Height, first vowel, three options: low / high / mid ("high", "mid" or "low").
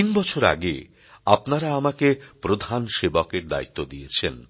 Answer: high